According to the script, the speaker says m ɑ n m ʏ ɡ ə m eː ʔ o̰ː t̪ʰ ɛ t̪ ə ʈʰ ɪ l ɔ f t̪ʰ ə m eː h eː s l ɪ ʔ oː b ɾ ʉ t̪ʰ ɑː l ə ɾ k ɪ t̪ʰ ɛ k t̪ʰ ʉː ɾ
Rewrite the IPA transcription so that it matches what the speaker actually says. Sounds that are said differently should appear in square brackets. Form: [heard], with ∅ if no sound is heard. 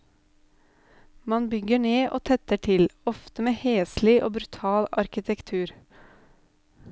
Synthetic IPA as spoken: m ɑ n [b] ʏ ɡ ə [ɳ] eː ʔ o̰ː t̪ʰ ɛ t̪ ə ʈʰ ɪ l ɔ f [t̪] ə m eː h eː s l ɪ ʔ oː b ɾ ʉ t̪ʰ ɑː l [ɑ] ɾ k ɪ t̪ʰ ɛ k t̪ʰ ʉː ɾ